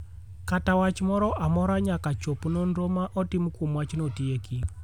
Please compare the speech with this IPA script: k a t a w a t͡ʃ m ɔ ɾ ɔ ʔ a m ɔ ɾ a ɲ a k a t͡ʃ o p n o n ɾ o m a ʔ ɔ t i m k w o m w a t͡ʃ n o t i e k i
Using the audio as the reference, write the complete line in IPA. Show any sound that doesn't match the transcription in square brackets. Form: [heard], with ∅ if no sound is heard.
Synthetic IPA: k a t a w a t͡ʃ m ɔ ɾ ɔ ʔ a m ɔ ɾ a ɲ a k a t͡ʃ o p n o n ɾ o m a ʔ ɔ t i m k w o m w a t͡ʃ n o t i e k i